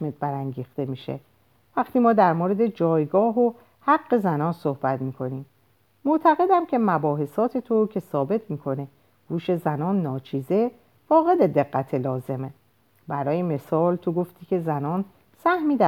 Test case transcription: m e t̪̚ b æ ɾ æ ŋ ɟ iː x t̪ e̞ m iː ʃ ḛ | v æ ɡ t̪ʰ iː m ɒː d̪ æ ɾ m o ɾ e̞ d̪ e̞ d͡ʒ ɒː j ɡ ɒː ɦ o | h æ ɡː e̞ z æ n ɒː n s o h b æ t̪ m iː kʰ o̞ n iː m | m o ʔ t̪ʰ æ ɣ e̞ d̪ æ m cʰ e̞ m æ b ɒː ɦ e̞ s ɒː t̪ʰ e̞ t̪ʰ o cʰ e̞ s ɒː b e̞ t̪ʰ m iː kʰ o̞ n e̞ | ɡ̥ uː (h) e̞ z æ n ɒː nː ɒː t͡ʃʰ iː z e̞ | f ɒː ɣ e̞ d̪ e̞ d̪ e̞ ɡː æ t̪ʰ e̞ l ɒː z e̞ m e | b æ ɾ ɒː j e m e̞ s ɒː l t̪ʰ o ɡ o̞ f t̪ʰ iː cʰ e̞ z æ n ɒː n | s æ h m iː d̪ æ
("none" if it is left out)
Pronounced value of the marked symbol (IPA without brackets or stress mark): ʃ